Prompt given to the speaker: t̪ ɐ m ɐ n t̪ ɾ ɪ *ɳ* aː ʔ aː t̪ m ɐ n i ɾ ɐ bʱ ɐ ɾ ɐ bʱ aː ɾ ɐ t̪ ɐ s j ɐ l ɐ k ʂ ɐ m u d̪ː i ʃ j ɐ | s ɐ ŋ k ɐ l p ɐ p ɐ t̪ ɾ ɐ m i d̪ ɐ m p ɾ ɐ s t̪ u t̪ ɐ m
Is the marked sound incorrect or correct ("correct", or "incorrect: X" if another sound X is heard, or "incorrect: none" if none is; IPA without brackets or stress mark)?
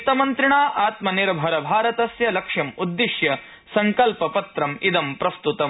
correct